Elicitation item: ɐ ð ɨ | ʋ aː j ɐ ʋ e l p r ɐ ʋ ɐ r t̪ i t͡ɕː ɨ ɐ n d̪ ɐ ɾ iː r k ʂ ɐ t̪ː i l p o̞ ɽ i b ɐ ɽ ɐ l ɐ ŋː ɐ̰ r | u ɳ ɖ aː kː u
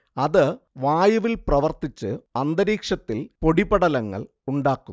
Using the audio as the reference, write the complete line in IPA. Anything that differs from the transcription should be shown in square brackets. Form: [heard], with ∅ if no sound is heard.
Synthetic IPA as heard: ɐ ð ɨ | ʋ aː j ɐ ʋ [i] l p r ɐ ʋ ɐ r t̪ i t͡ɕː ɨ ɐ n d̪ ɐ ɾ iː [∅] k ʂ ɐ t̪ː i l p o̞ ɽ i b ɐ ɽ ɐ l ɐ ŋː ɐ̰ [ɭ] | u ɳ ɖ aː kː u